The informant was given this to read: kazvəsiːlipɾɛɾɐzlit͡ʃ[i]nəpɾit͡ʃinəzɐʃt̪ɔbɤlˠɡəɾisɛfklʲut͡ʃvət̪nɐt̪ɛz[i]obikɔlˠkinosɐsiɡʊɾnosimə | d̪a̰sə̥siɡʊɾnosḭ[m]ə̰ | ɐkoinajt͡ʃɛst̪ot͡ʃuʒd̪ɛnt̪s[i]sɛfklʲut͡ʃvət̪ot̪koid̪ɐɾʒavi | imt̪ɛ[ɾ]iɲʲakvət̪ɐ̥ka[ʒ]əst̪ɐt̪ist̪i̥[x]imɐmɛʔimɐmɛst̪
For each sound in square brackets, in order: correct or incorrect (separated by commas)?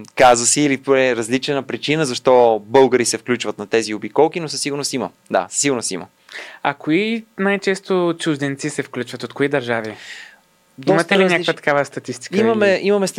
incorrect, correct, correct, correct, incorrect, incorrect, incorrect